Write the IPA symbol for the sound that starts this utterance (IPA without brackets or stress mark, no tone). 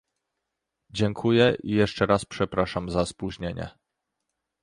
d͡ʑ